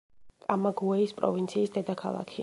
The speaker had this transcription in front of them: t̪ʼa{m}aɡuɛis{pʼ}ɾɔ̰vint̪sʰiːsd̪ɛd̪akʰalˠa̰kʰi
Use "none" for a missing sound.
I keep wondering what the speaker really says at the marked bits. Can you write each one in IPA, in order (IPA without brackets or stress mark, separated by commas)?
m, pʼ